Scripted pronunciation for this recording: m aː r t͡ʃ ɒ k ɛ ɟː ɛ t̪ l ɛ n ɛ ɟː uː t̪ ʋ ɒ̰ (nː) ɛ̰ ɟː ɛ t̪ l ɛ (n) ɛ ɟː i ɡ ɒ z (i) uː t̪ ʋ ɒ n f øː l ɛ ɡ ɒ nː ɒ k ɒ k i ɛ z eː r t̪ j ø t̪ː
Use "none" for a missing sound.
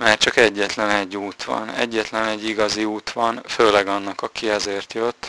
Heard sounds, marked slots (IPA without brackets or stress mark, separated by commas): n, n, i